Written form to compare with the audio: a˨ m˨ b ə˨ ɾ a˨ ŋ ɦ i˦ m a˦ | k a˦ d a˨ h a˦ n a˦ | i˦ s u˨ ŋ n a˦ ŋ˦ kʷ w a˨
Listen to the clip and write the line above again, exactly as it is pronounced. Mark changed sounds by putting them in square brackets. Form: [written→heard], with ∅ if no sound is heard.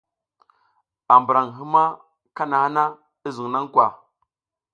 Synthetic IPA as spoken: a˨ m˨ b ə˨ ɾ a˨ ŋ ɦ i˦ m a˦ | k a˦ [d→n] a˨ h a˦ n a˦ | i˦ [s→z] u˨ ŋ n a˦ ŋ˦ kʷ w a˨